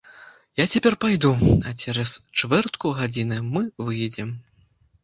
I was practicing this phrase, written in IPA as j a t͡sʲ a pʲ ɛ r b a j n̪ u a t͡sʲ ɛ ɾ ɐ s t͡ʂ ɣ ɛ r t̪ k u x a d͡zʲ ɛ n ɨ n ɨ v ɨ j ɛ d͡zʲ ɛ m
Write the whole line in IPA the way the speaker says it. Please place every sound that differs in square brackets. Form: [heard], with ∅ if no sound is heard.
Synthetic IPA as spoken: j a t͡sʲ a pʲ ɛ r [p] a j [d̪] u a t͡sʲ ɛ ɾ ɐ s t͡ʂ [v] ɛ r t̪ k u [ɣ] a d͡zʲ [i] n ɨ [m] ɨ v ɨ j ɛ d͡zʲ ɛ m